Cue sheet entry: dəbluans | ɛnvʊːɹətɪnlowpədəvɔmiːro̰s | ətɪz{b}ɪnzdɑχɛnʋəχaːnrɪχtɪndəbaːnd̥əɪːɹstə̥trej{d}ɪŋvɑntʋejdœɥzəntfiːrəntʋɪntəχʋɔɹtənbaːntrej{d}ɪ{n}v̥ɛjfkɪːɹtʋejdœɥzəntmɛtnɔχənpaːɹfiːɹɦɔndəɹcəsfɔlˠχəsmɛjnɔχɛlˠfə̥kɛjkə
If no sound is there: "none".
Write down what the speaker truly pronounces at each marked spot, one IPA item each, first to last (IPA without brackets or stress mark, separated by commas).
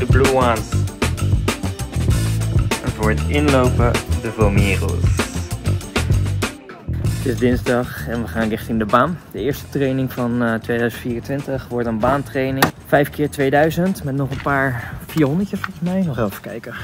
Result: d, n, n, ŋ